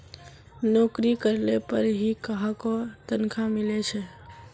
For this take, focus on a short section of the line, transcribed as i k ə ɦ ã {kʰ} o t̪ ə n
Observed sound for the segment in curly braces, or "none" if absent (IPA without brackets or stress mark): k